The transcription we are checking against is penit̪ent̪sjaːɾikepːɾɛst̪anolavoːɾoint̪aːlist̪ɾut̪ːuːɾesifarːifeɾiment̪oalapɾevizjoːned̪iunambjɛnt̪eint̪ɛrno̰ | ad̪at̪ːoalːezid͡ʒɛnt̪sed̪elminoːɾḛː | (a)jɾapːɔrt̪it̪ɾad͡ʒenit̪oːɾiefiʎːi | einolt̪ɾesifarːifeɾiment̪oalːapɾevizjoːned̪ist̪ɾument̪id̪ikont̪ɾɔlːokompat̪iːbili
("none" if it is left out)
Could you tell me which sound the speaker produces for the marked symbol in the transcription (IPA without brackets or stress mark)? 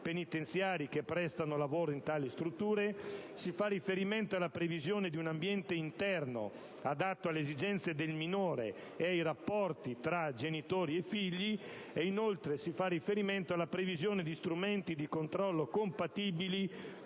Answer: a